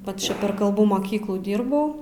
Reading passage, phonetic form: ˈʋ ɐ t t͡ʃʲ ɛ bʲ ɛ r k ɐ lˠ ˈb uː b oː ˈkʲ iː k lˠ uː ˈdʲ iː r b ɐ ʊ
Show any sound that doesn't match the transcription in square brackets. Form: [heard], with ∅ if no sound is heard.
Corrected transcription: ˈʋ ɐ t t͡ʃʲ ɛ [pʲ] ɛ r k ɐ lˠ ˈb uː [m] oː ˈkʲ iː k lˠ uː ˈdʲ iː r b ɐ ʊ